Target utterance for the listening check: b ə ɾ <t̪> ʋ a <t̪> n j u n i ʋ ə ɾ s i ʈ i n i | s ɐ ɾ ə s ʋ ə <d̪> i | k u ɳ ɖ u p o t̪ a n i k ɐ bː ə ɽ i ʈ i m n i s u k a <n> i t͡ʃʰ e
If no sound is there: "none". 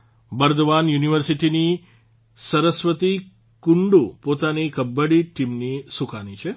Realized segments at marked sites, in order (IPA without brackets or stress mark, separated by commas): d̪, none, t̪, n